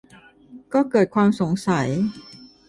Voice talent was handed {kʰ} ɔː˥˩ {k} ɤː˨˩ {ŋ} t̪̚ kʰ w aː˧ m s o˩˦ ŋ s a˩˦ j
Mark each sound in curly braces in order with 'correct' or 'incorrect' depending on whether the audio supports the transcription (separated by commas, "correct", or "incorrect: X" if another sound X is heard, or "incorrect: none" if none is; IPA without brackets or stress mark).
incorrect: k, correct, incorrect: none